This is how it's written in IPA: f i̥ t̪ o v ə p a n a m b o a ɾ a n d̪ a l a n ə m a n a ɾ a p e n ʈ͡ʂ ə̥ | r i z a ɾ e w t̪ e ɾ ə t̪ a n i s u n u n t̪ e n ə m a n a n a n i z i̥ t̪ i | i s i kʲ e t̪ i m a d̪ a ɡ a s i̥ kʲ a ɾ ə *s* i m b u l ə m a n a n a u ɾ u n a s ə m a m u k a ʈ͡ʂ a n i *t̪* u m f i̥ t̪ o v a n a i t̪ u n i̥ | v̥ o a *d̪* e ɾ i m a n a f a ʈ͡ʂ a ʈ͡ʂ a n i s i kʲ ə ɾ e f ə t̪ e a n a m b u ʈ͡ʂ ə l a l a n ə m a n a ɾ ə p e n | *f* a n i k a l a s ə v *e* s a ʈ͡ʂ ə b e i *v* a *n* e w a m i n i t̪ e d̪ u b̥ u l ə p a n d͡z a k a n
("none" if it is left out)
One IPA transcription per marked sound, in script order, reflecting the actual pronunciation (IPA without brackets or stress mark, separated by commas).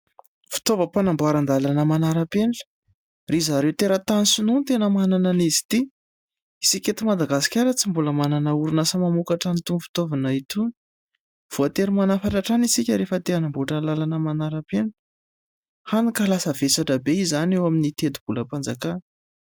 t͡s, t̪, t̪, h, e, z, n